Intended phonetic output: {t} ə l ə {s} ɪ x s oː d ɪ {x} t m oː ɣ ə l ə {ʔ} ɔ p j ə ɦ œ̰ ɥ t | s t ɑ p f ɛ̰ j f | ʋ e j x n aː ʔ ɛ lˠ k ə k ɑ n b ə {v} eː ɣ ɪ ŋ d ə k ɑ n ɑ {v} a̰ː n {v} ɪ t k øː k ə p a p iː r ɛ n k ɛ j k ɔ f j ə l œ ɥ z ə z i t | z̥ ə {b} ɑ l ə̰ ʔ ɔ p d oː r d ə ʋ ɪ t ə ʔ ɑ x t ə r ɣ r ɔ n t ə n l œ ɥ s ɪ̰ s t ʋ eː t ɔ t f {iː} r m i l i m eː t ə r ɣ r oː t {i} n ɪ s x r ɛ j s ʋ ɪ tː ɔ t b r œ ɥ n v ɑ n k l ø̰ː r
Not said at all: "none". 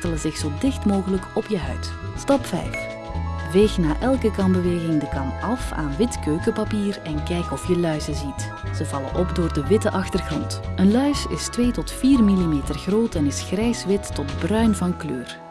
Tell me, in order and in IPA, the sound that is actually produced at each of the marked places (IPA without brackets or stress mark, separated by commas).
t, z, x, k, ʋ, f, ʋ, v, iː, ɛ